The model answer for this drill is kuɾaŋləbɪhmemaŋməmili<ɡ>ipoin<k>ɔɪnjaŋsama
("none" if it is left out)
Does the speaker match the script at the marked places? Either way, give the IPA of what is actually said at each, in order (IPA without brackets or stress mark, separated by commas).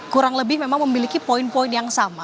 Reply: k, p